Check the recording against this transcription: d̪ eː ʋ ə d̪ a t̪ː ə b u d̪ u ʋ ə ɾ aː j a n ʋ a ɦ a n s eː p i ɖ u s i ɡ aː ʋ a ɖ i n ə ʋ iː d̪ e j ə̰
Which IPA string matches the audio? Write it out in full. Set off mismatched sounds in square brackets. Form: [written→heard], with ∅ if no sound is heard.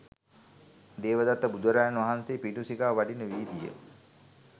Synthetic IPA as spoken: d̪ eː ʋ ə d̪ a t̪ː ə b u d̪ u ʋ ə ɾ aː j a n ʋ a ɦ a n s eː p i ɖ u s i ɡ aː ʋ a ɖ i n ə ʋ iː d̪ [e→i] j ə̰